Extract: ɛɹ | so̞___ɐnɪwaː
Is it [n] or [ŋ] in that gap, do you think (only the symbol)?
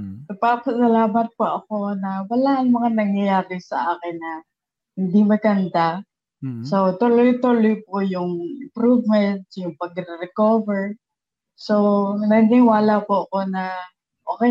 n